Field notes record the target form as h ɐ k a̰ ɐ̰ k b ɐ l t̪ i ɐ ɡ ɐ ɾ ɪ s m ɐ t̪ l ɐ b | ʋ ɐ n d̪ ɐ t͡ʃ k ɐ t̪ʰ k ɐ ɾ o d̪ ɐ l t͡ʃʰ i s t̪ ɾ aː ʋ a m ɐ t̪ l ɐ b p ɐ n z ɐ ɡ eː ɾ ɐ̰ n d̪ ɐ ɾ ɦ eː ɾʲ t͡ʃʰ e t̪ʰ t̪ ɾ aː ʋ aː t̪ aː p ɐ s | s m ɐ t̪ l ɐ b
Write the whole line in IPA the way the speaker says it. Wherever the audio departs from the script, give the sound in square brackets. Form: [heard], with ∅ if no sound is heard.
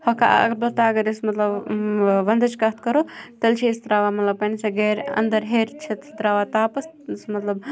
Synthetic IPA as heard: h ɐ k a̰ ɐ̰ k b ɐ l t̪ [a] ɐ ɡ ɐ ɾ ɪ s m ɐ t̪ l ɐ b | ʋ ɐ n d̪ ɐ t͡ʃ k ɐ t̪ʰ k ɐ ɾ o [t̪] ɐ l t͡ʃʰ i s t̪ ɾ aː ʋ a m ɐ t̪ l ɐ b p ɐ n [s] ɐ ɡ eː ɾ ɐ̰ n d̪ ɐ ɾ ɦ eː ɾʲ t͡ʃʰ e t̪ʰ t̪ ɾ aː ʋ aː t̪ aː p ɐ s | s m ɐ t̪ l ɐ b